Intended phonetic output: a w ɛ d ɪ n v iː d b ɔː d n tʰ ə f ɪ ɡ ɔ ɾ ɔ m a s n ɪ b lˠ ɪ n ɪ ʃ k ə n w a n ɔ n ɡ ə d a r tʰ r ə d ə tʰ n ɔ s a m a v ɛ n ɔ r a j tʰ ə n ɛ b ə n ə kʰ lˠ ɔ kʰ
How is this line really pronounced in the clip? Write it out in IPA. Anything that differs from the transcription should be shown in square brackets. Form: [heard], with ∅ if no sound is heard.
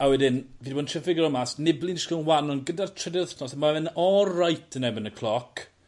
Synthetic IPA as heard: a w ɛ d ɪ n v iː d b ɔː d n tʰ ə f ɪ ɡ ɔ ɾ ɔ m a s n ɪ b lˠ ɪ n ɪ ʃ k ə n w a n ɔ n ɡ ə d a r tʰ r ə d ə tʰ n ɔ s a m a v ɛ n ɔ r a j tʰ ə n ɛ b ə n ə kʰ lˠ ɔ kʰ